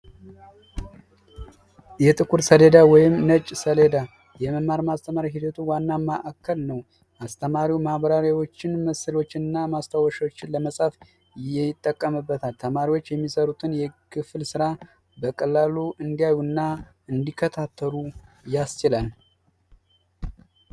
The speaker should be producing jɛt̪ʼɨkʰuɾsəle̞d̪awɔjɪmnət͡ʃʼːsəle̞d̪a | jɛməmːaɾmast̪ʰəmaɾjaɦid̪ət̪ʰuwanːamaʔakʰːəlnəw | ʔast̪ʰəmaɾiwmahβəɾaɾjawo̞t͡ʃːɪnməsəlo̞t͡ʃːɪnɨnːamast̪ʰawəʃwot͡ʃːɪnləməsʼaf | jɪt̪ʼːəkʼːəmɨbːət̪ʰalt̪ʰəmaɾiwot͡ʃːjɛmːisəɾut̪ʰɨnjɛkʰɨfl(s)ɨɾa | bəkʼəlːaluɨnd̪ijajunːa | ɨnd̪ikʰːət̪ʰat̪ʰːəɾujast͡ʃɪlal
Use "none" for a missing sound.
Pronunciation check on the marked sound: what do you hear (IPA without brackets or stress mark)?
s